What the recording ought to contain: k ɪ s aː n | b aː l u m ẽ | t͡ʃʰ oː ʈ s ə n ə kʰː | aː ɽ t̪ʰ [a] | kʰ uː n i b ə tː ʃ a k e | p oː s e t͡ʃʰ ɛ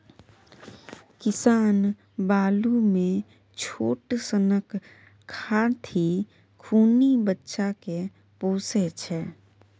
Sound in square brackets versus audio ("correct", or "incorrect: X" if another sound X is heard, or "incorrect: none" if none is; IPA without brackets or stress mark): incorrect: i